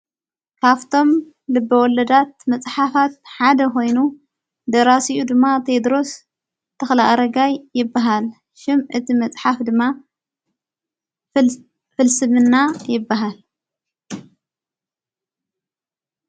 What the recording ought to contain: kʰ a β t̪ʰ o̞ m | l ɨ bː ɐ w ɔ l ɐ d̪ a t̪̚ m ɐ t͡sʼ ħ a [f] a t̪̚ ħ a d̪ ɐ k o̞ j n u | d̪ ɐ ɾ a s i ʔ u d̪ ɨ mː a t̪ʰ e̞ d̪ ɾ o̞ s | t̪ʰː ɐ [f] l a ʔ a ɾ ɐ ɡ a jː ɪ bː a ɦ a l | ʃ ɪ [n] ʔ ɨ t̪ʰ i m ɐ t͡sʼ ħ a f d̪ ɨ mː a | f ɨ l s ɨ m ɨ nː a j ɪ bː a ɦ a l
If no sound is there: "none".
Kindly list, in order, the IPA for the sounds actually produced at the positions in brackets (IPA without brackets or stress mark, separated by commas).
f, x, m